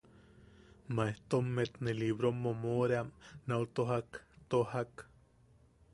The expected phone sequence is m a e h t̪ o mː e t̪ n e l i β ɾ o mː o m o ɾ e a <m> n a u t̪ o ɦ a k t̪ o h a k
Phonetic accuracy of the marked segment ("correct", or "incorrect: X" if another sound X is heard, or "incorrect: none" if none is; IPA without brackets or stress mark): correct